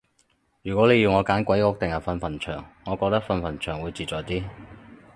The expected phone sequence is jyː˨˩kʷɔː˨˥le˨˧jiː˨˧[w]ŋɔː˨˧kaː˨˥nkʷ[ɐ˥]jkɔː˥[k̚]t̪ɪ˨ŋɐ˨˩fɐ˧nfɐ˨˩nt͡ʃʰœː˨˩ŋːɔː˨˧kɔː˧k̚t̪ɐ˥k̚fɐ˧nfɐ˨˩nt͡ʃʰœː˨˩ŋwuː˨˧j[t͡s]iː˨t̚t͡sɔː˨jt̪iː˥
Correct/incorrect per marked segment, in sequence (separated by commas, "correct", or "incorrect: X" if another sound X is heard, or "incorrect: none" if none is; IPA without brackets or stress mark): correct, incorrect: ɐ˨˥, correct, correct